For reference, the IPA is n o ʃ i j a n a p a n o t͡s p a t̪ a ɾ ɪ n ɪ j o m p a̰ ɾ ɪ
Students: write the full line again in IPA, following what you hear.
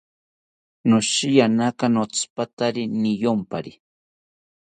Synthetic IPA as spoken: n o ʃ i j a n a k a n o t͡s p a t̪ a ɾ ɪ n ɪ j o m p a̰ ɾ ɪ